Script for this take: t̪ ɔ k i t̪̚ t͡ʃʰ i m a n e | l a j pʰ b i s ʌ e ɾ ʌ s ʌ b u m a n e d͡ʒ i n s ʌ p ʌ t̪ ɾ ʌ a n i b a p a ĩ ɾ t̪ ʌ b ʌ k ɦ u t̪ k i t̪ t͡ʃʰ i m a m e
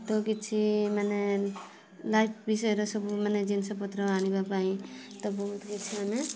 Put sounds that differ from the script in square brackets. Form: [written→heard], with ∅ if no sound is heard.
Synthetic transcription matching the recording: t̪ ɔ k i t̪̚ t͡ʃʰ i m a n e | l a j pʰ b i s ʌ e ɾ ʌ s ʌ b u m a n e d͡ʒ i n s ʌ p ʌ t̪ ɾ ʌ a n i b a p a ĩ [ɾ→∅] t̪ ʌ b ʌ [k→∅] ɦ u t̪ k i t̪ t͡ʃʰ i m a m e